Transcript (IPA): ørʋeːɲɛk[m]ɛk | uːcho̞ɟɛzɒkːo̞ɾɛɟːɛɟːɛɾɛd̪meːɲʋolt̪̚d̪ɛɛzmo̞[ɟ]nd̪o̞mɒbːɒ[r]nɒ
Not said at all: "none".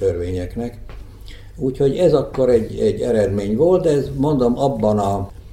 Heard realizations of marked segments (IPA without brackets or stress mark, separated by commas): n, none, none